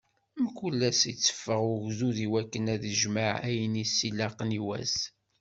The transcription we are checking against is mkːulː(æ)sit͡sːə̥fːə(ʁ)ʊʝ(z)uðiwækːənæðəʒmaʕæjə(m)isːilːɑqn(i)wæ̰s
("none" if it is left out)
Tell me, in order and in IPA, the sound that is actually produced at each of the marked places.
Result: æ, ʁ, z, n, i

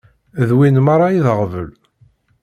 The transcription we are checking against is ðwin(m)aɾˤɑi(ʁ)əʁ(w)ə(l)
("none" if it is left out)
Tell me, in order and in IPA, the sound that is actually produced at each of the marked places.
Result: m, ð, v, l

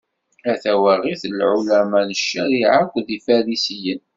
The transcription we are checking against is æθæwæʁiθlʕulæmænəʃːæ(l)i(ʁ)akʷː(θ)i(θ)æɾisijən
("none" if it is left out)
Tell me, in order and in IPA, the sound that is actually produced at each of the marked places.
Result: ɾ, ʕ, ð, f

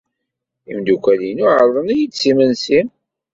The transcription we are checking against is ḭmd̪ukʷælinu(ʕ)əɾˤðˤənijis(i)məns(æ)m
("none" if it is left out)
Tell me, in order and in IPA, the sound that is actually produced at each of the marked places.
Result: ʕ, i, i

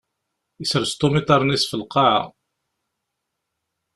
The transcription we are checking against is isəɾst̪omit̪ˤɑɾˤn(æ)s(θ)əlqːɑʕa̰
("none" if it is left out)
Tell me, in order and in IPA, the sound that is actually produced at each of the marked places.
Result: i, f

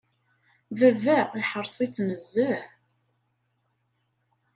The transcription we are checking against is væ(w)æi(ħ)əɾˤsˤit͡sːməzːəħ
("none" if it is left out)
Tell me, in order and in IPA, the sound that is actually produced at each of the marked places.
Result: v, ħ

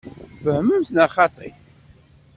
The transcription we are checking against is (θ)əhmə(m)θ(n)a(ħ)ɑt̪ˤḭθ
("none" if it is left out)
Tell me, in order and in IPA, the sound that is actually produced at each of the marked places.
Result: f, m, n, χ

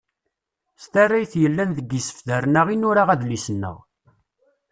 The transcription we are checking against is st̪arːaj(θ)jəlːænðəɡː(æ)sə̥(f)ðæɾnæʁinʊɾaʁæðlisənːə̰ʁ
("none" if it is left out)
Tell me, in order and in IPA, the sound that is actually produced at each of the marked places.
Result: θ, i, f

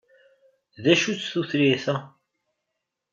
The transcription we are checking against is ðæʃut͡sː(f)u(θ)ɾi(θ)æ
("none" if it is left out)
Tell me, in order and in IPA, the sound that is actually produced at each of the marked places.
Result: θ, θ, θ

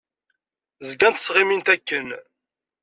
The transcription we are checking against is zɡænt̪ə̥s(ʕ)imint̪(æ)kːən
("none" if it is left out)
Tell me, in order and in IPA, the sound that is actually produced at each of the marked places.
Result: ʁ, æ

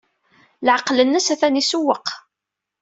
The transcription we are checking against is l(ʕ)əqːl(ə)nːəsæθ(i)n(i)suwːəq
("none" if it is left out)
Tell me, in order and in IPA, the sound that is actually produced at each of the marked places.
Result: ʕ, ə, æ, i

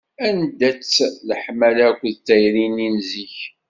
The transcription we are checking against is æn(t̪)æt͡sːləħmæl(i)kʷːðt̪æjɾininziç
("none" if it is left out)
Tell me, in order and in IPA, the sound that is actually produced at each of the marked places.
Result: d̪, æ

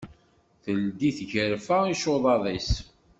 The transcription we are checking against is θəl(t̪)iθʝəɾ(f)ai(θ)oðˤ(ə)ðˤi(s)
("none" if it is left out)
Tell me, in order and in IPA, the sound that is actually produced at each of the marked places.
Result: d̪, f, ʃ, ɑ, s

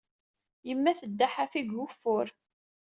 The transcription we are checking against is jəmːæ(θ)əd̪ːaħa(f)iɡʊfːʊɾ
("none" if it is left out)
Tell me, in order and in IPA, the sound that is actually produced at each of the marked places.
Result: θ, f

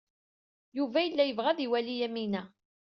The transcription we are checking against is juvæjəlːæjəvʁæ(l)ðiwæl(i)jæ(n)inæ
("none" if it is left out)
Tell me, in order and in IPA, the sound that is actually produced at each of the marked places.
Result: none, i, m

